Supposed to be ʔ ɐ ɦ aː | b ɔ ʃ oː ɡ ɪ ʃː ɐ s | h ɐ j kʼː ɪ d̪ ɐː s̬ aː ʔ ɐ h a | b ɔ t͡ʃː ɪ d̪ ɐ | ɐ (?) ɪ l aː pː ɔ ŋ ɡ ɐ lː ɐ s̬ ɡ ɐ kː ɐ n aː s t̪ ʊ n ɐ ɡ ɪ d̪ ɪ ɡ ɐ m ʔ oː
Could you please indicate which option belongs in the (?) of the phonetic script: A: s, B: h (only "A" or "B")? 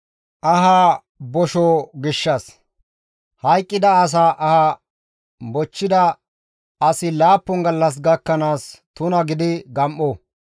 A